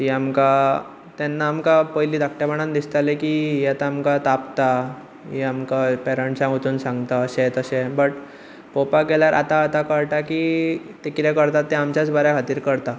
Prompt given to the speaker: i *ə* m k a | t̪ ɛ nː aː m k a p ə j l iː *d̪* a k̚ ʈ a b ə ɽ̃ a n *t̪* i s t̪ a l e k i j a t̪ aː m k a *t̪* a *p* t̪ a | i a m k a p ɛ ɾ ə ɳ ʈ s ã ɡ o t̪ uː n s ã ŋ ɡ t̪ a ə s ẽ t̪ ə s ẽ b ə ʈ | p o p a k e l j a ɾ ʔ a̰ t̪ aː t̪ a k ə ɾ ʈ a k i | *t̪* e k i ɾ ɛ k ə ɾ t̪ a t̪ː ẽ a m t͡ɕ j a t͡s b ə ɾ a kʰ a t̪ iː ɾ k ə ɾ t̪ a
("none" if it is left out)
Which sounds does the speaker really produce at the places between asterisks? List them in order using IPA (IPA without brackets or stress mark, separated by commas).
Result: a, d̪, d̪, t̪, p, t̪